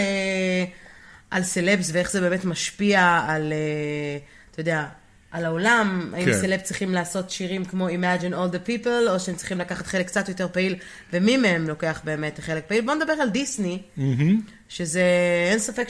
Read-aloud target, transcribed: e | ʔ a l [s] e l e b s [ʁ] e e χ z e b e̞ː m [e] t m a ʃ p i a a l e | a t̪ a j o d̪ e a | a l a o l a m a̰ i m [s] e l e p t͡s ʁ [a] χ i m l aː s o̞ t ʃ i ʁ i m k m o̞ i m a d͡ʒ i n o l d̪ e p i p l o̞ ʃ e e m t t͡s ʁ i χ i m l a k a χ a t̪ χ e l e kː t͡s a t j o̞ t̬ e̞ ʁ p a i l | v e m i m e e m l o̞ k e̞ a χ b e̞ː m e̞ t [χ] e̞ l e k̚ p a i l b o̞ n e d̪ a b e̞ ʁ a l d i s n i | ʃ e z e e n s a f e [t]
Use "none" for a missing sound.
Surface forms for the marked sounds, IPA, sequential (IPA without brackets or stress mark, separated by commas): s, v, e, s, i, χ, k